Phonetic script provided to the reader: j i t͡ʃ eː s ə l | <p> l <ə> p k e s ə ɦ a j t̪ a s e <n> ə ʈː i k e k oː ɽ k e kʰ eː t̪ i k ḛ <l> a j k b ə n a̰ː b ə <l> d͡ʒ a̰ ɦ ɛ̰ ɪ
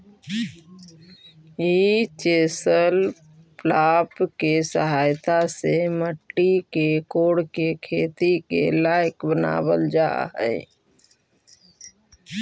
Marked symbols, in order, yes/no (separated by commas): yes, no, no, yes, yes